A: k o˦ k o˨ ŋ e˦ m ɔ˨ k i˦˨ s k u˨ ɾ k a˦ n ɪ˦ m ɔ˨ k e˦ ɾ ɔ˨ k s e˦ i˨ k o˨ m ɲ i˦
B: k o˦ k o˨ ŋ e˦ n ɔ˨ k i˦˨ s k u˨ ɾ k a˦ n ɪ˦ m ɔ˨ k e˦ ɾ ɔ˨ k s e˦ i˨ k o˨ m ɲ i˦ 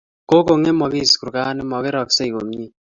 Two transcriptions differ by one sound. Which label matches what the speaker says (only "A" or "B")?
A